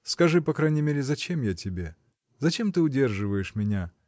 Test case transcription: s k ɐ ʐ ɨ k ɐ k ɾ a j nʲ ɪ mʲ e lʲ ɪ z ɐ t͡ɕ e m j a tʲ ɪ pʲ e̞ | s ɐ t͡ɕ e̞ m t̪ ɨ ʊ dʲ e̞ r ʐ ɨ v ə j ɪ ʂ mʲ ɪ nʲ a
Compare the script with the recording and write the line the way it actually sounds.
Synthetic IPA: s k ɐ ʐ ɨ p ɐ k ɾ a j nʲ ɪ mʲ e ɾʲ ɪ z ɐ t͡ɕ e m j a tʲ ɪ bʲ e̞ | z ɐ t͡ɕ e̞ m t̪ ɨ ʊ dʲ e̞ r ʐ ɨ v ə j ɪ ʂ mʲ ɪ nʲ a